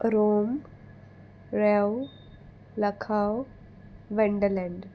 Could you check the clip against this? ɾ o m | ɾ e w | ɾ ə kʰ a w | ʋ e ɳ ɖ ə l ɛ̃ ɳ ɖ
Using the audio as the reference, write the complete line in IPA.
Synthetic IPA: ɾ o m | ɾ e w | l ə kʰ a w | ʋ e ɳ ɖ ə l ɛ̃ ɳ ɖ